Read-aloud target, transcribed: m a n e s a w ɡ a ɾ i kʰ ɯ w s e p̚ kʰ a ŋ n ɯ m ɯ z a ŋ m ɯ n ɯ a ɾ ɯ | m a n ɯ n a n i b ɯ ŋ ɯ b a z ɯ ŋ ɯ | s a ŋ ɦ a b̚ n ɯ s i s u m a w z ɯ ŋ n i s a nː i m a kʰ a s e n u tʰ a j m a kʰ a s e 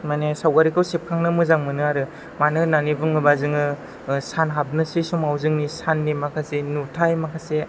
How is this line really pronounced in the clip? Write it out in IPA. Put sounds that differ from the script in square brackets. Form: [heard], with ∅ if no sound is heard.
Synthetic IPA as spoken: m a n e s a w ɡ a ɾ i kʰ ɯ w s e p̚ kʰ a ŋ n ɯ m ɯ z a ŋ m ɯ n ɯ a ɾ ɯ | m a n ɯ n a n i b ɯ ŋ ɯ b a z ɯ ŋ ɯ | s a [n] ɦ a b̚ n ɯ s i s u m a w z ɯ ŋ n i s a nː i m a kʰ a s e n u tʰ a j m a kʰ a s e